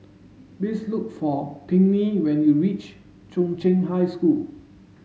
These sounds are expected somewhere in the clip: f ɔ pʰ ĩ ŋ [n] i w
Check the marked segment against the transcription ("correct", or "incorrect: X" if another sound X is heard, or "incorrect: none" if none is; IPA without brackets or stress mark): correct